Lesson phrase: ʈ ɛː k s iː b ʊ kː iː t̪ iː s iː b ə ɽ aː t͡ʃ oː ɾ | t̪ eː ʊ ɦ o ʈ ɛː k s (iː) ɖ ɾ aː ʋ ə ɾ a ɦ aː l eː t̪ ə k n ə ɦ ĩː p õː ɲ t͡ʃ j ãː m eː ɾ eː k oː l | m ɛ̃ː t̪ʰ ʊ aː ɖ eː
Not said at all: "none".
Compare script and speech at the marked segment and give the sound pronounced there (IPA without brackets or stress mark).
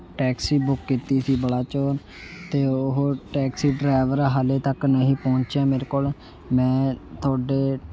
iː